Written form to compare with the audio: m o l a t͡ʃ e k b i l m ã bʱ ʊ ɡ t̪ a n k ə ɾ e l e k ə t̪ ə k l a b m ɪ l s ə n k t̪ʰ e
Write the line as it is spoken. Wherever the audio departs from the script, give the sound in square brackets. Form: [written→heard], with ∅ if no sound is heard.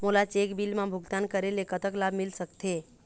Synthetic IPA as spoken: m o l a t͡ʃ e k b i l m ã bʱ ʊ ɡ t̪ a n k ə ɾ e l e k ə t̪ ə k l a b m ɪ l s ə [n→∅] k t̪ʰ e